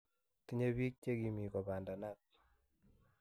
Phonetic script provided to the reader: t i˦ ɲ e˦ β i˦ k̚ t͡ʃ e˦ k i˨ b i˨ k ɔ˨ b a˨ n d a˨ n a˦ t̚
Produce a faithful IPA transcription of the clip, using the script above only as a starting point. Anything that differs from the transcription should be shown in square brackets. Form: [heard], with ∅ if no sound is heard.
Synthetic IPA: t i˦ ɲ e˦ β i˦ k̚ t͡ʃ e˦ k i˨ [m] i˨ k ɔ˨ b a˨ n d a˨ n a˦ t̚